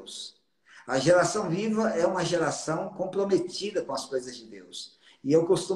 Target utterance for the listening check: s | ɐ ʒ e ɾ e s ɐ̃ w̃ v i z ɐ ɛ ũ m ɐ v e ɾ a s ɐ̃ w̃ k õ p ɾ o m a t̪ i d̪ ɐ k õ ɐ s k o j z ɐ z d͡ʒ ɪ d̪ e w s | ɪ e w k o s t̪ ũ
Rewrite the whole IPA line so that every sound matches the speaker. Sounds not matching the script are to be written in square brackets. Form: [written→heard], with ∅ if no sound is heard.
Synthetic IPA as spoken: s | ɐ ʒ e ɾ [e→a] s ɐ̃ w̃ v i [z→v] ɐ ɛ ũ m ɐ [v→ʒ] e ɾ a s ɐ̃ w̃ k õ p ɾ o m [a→e] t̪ i d̪ ɐ k õ ɐ s k o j z ɐ z d͡ʒ ɪ d̪ e w s | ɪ e w k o s t̪ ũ